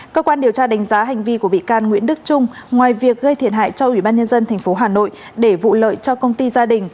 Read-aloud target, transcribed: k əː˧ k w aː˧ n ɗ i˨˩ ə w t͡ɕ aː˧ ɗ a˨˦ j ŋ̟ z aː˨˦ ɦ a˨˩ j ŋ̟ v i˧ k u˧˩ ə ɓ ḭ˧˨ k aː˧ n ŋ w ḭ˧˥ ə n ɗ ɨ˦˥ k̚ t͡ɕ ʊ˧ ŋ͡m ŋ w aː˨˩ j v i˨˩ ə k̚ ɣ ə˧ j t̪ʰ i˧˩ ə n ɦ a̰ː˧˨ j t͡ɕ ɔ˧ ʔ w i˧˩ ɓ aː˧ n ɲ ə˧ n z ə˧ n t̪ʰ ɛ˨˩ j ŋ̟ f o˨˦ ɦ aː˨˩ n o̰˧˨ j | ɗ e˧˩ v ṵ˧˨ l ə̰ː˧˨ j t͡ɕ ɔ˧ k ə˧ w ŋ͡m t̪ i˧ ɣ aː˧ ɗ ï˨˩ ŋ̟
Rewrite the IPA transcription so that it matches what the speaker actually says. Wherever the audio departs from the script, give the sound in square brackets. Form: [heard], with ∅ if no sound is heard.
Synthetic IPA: k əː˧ k w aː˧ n ɗ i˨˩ ə w t͡ɕ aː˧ ɗ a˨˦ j ŋ̟ z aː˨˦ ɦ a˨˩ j ŋ̟ v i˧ k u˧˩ ə ɓ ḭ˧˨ k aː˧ n ŋ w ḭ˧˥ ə n ɗ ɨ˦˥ k̚ t͡ɕ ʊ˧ ŋ͡m ŋ w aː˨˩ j v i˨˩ ə k̚ ɣ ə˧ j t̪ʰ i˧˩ ə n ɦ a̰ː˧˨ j t͡ɕ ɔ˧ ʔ w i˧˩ ɓ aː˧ n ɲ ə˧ n z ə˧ n t̪ʰ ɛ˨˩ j ŋ̟ f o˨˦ ɦ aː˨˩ n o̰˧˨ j | ɗ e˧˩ v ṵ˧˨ l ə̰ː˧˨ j t͡ɕ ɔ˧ k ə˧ w ŋ͡m t̪ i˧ [z] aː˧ ɗ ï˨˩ ŋ̟